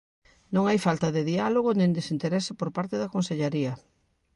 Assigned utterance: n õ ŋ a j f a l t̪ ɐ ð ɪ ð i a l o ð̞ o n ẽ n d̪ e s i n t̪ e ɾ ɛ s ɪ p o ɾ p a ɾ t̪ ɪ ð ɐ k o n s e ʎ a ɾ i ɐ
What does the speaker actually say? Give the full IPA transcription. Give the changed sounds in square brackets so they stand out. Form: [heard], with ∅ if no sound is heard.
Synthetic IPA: n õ ŋ a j f a l t̪ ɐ ð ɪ ð i a l o [ɣ̞] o n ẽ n d̪ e s i n t̪ e ɾ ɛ s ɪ p o ɾ p a ɾ t̪ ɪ ð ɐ k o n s e ʎ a ɾ i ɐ